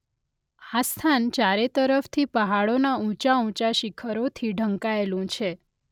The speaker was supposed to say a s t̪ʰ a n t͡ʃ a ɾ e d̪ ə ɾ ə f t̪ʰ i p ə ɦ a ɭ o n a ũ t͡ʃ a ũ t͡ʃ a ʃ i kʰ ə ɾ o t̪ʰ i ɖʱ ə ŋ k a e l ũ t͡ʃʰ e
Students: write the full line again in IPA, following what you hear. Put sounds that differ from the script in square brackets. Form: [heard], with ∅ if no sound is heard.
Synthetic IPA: a s t̪ʰ a n t͡ʃ a ɾ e [t̪] ə ɾ ə f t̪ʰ i p ə ɦ a ɭ o n a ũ t͡ʃ a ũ t͡ʃ a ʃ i kʰ ə ɾ o t̪ʰ i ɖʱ ə ŋ k a e l ũ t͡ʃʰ e

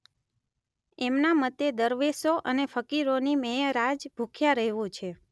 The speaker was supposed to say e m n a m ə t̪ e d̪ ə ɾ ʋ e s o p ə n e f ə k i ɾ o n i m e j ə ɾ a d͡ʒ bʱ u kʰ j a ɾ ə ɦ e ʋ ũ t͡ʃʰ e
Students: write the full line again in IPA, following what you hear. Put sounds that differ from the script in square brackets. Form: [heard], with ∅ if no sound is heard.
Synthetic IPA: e m n a m ə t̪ e d̪ ə ɾ ʋ e s o [ʔ] ə n e f ə k i ɾ o n i m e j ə ɾ a d͡ʒ bʱ u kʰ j a ɾ ə ɦ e ʋ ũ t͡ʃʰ e

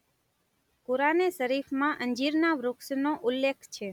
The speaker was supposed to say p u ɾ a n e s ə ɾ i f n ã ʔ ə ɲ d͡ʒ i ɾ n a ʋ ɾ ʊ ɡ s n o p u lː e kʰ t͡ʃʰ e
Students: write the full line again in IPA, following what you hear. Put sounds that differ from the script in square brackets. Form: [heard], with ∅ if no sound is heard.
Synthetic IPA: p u ɾ a n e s ə ɾ i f [m] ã ʔ ə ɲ d͡ʒ i ɾ n a ʋ ɾ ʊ [k] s n o [ʔ] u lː e kʰ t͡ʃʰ e

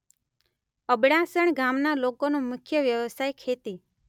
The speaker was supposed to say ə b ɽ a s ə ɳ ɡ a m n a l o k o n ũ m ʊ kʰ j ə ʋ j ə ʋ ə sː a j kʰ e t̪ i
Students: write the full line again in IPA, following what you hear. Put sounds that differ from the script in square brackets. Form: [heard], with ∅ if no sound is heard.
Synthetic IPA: ə b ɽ a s ə ɳ ɡ a m n a l o k o n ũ m ʊ kʰ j ə ʋ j ə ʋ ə [s] a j kʰ e t̪ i

